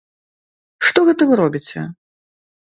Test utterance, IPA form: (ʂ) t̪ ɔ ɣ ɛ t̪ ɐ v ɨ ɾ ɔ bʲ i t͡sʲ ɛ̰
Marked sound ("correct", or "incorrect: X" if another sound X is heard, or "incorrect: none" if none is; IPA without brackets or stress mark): correct